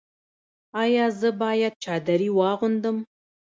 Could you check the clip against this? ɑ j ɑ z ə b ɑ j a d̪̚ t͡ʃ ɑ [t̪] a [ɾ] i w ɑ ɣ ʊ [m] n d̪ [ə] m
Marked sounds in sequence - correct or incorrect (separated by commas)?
incorrect, correct, incorrect, correct